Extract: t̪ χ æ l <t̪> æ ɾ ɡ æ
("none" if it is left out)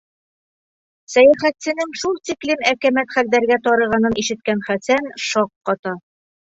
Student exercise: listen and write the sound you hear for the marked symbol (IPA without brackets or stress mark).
d̪